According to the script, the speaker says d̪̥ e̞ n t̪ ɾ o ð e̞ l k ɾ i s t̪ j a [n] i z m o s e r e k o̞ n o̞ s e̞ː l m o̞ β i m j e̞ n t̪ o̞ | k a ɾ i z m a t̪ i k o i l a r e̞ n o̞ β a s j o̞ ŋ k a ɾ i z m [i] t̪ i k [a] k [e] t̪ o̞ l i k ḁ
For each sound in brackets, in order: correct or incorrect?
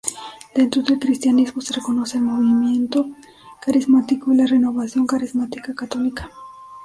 correct, incorrect, correct, incorrect

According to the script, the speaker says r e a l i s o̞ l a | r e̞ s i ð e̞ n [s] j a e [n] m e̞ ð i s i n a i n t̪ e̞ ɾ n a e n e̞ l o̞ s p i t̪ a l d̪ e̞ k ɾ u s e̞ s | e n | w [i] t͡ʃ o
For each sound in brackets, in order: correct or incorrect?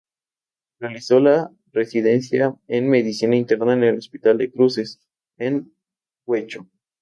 correct, correct, incorrect

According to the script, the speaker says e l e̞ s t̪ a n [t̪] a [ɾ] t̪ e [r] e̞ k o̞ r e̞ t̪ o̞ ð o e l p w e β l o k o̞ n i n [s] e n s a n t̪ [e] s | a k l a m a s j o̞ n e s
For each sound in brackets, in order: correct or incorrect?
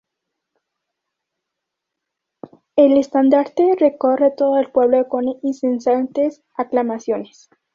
incorrect, correct, correct, correct, correct

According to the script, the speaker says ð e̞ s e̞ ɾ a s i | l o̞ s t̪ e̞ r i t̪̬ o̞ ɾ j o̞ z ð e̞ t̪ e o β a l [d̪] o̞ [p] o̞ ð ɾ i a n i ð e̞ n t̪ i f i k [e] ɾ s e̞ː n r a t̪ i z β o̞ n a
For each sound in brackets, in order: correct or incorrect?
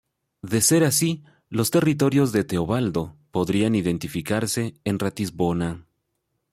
correct, correct, incorrect

